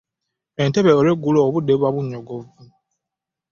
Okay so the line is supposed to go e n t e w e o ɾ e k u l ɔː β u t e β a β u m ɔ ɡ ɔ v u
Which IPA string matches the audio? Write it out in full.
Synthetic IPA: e n t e β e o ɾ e ɡ u l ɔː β u d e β a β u ɲ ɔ ɡ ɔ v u